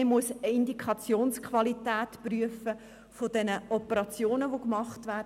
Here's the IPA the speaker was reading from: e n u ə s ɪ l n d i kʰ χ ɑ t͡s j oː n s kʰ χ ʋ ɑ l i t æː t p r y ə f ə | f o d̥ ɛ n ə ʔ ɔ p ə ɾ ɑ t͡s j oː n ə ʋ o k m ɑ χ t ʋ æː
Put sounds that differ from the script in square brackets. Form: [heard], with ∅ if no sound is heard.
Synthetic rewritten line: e [m] u ə s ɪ [∅] n d i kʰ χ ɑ t͡s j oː n s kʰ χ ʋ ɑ l i t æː t p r y ə f ə | f o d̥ ɛ n ə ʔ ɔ p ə ɾ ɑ t͡s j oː n ə ʋ o k m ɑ χ t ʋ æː